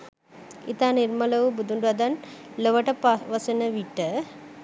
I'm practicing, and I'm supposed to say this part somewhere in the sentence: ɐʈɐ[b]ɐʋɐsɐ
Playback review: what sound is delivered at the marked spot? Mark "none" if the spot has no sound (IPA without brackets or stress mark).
p